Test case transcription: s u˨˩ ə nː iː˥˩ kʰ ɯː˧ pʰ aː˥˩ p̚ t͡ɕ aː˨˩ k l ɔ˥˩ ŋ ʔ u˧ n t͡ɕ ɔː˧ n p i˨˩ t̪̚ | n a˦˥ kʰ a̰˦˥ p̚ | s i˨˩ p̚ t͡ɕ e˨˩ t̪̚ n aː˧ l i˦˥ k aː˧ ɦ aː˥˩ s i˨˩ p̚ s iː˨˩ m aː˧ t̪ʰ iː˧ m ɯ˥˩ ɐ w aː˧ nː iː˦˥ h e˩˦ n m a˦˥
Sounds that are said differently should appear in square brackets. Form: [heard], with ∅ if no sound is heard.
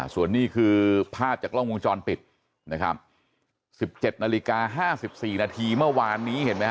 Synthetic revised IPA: s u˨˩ ə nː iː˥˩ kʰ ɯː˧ pʰ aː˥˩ p̚ t͡ɕ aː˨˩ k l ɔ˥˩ ŋ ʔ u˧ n t͡ɕ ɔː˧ n p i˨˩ t̪̚ | n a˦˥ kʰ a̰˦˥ p̚ | s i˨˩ p̚ t͡ɕ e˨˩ t̪̚ n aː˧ l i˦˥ k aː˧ ɦ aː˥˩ s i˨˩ p̚ s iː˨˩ [n] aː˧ t̪ʰ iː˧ m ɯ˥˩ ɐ w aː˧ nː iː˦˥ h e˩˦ n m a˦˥

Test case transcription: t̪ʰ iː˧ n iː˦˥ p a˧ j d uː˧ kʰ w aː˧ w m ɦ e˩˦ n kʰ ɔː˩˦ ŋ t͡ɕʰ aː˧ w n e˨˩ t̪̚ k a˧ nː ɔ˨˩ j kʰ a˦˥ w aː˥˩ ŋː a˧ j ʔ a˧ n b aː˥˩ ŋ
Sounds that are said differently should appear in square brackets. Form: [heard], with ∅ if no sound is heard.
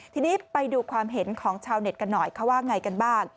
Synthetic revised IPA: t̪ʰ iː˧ n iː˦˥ p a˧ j d uː˧ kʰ w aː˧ [∅] m ɦ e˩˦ n kʰ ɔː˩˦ ŋ t͡ɕʰ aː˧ w n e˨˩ t̪̚ k a˧ nː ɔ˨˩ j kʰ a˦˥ w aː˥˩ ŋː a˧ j [k] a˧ n b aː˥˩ ŋ

